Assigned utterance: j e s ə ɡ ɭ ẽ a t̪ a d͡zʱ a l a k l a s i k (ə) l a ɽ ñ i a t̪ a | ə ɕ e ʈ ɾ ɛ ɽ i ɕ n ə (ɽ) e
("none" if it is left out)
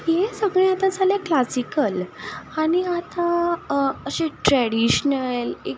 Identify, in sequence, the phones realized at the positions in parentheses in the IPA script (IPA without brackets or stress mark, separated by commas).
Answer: ə, l